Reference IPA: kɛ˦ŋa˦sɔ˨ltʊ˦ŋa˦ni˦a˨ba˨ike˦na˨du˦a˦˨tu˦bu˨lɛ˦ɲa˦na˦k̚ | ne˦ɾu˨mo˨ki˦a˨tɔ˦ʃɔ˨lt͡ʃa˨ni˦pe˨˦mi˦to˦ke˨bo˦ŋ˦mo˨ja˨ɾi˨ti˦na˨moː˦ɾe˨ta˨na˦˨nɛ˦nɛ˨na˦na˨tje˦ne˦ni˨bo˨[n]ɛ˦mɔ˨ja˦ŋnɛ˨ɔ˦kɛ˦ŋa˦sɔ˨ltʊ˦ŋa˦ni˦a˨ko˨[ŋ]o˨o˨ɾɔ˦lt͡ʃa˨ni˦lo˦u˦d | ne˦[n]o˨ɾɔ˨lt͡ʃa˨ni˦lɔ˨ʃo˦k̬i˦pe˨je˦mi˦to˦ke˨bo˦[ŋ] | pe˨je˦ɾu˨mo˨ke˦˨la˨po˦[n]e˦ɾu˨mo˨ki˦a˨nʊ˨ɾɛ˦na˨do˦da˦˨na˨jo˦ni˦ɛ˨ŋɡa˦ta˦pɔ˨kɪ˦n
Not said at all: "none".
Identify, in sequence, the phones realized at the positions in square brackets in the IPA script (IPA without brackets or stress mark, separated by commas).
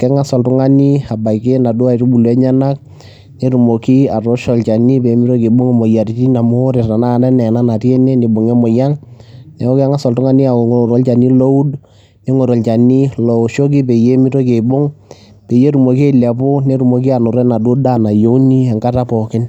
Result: ŋ, ŋ, ŋ, ŋ, n